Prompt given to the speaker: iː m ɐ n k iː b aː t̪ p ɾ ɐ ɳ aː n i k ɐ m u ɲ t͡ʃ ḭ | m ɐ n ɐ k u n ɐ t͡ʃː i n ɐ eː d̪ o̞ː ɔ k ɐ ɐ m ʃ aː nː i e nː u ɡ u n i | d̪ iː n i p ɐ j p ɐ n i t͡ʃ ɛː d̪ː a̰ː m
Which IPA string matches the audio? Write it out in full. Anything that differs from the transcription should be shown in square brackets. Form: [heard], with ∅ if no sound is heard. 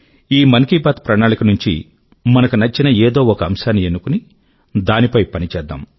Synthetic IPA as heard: iː m ɐ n k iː b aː t̪ p ɾ ɐ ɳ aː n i k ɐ [n] u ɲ t͡ʃ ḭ | m ɐ n ɐ k u n ɐ t͡ʃː i n ɐ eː d̪ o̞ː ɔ k ɐ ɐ m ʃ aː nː i e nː u [k] u n i | d̪ [aː] n i p ɐ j p ɐ n i t͡ʃ ɛː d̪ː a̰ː m